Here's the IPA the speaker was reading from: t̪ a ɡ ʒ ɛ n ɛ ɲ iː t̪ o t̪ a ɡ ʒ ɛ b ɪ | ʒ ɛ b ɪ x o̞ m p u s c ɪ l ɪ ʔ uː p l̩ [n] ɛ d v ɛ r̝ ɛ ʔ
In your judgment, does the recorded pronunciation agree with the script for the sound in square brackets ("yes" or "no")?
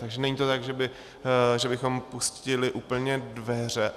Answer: no